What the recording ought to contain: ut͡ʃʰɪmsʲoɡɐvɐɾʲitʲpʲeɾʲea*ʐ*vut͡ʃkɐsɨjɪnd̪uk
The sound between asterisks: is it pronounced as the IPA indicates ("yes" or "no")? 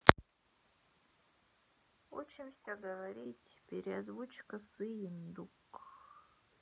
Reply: no